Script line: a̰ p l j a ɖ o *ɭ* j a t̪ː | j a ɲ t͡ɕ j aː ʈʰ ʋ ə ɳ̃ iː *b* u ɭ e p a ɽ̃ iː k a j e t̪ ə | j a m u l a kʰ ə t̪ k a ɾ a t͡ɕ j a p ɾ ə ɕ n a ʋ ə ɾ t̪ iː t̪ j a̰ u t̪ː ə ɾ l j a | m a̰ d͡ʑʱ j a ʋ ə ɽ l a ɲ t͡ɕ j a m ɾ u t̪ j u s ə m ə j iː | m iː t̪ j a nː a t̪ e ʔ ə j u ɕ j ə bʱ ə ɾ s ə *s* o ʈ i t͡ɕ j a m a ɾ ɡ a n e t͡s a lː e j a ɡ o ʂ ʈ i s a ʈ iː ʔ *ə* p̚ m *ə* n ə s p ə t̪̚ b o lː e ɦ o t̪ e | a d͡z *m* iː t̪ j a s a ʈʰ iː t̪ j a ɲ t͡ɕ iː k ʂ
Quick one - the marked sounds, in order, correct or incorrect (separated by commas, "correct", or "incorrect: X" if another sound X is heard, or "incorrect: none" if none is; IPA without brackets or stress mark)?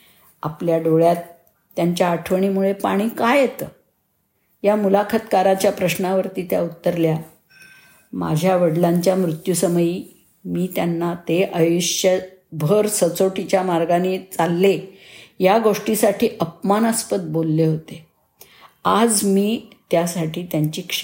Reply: correct, incorrect: m, incorrect: t͡s, correct, incorrect: a, correct